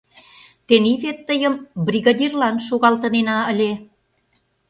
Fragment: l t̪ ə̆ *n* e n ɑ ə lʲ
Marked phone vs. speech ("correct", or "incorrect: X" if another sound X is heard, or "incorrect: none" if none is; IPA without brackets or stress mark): correct